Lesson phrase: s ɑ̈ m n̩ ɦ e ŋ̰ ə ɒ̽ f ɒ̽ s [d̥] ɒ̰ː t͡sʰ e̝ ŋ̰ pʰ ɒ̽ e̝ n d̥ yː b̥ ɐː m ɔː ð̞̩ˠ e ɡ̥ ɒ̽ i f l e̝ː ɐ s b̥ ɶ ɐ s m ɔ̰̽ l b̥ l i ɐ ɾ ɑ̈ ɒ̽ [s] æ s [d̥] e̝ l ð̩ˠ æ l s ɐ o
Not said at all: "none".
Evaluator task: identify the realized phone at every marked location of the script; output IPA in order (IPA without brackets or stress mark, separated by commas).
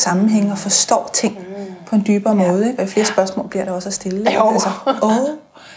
d̥, s, d̥